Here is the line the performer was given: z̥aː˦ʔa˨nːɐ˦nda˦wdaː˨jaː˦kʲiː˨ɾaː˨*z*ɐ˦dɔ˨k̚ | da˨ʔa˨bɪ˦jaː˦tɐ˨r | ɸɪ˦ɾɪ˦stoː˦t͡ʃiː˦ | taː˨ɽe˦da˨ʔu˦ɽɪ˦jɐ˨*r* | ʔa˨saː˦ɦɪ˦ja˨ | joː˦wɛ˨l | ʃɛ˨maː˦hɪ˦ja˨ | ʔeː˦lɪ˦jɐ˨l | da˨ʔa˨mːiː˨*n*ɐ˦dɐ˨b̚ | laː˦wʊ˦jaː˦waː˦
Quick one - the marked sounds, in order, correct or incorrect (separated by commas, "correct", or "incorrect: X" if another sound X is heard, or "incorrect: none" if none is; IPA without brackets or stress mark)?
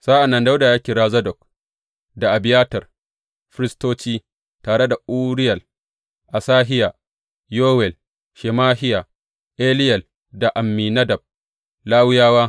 correct, incorrect: l, correct